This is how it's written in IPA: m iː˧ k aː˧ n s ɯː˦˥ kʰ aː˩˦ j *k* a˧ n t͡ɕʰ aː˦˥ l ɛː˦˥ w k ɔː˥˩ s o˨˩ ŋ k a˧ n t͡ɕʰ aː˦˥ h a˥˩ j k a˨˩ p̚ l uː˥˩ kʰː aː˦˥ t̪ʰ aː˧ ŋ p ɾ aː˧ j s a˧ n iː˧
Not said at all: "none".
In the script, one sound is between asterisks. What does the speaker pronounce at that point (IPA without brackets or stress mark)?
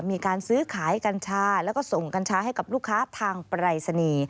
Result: k